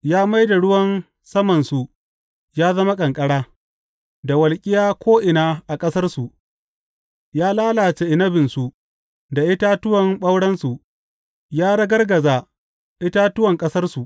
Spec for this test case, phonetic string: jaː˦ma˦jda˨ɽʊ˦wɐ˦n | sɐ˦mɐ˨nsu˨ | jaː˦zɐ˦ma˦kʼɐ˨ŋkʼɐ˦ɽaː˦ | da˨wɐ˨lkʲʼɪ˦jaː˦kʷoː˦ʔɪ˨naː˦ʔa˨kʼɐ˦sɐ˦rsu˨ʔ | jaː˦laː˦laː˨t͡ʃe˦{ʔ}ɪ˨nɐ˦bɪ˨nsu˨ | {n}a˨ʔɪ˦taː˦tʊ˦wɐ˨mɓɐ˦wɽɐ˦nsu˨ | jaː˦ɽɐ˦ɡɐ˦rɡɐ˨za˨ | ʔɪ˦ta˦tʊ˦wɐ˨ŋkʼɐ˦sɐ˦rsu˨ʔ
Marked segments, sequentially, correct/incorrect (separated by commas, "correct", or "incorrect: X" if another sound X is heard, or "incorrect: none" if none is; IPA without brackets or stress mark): correct, incorrect: d